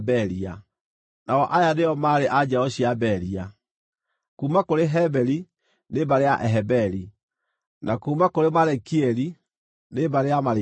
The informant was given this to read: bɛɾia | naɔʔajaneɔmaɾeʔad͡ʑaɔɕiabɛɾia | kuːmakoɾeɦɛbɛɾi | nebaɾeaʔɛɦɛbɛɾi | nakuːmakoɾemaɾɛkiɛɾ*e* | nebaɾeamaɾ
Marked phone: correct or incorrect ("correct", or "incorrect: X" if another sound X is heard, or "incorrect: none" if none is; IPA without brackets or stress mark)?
incorrect: i